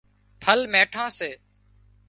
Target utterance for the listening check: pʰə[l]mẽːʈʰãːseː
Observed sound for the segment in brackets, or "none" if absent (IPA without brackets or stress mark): l